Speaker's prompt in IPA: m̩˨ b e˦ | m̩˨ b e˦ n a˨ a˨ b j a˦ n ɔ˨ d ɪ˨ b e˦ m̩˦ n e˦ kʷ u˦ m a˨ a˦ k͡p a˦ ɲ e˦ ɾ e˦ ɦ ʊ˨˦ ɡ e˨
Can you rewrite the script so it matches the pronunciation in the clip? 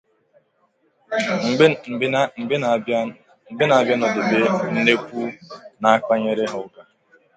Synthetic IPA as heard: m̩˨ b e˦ | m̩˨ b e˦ n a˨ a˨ b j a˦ n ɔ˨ d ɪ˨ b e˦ n̩˦ n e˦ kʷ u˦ n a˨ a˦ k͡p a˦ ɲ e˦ ɾ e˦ ɦ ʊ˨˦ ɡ a˨

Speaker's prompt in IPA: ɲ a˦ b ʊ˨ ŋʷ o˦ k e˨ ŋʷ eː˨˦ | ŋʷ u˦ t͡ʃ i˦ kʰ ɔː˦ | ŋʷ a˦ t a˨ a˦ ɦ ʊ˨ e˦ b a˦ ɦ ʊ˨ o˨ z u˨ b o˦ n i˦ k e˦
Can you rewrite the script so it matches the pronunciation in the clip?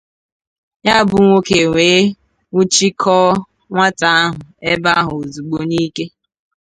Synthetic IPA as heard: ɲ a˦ b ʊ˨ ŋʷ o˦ k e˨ ŋʷ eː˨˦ | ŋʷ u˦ t͡ʃ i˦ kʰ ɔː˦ | ŋʷ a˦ t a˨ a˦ ɦ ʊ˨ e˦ b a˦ ɦ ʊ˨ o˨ z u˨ ɡ͡b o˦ n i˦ k e˦

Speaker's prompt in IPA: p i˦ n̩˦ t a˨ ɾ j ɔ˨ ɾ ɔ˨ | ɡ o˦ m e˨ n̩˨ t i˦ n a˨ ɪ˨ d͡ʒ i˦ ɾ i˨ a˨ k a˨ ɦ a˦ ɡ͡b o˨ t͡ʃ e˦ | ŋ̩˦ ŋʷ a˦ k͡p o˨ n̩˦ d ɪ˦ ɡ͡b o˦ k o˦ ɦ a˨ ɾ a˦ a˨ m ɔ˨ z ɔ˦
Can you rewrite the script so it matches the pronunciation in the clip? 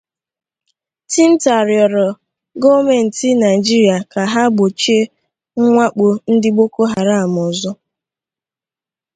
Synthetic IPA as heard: t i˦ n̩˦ t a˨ ɾ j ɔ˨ ɾ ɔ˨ | ɡ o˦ m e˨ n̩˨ t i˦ n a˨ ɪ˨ d͡ʒ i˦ ɾ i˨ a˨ k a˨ ɦ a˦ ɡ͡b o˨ t͡ʃ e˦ | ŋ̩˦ ŋʷ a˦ k͡p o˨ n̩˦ d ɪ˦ ɡ͡b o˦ k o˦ ɦ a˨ ɾ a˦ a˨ m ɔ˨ z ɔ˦

